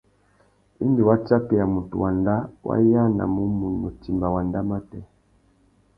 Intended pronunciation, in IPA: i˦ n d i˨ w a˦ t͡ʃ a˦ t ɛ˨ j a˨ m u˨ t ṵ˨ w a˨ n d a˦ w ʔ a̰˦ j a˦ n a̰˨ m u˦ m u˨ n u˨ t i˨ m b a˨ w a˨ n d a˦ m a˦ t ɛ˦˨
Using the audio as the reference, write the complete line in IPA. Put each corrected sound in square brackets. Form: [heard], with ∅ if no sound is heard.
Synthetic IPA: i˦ n d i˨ w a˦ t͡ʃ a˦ [p] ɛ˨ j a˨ m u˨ t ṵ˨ w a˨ n d a˦ w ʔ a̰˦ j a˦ n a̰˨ m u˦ m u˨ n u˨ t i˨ m b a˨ w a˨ n d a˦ m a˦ t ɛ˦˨